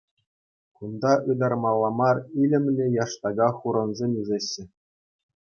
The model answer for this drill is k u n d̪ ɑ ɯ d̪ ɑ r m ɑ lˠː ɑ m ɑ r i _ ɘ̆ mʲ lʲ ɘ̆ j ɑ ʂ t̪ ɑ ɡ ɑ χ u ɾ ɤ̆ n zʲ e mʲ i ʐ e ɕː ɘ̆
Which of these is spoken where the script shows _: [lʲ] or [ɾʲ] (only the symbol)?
lʲ